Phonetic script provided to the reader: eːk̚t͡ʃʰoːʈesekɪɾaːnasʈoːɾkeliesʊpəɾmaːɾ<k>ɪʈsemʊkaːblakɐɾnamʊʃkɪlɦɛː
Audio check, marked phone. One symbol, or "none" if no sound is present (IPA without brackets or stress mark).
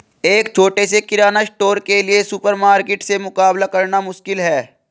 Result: k